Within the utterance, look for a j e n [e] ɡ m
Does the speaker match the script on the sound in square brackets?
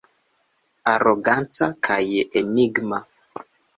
no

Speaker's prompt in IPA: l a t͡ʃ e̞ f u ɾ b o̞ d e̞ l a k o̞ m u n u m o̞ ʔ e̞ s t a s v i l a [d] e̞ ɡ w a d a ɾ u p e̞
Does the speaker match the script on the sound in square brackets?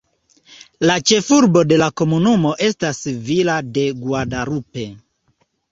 yes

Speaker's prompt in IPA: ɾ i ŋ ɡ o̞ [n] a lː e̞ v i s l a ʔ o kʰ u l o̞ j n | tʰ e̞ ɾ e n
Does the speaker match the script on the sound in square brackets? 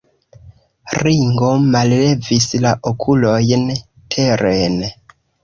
no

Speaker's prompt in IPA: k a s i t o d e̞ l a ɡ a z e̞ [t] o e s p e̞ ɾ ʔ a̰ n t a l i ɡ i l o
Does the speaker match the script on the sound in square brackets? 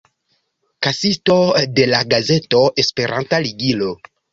yes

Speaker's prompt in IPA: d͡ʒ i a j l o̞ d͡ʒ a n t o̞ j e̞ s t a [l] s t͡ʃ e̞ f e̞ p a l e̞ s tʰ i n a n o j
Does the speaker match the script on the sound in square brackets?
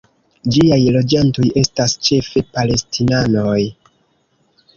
no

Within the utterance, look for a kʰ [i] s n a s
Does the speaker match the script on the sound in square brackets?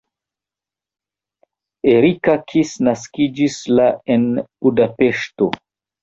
yes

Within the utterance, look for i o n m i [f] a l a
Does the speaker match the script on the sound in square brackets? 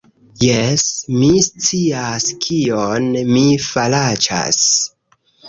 yes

